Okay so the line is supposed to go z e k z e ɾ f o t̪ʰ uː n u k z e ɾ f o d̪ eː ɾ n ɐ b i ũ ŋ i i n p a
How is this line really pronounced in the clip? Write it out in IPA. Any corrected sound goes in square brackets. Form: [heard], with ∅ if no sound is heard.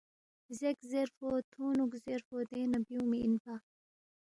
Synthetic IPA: z e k z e ɾ f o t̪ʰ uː n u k z e ɾ f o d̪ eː [∅] n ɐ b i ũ [m] i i n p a